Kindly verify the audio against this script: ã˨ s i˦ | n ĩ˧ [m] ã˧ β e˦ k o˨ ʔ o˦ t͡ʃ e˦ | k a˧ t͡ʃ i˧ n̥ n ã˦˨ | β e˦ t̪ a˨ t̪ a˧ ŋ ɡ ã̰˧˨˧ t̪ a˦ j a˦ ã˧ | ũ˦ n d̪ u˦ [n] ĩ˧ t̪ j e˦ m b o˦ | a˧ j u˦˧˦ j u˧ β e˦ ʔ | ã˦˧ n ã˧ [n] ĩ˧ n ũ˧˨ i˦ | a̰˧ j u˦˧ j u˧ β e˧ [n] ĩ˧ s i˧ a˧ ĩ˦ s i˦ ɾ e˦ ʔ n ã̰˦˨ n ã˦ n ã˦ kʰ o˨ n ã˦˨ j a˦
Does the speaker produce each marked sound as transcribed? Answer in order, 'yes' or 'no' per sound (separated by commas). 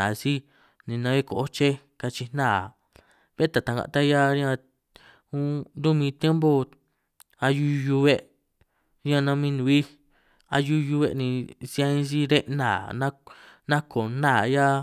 no, no, no, yes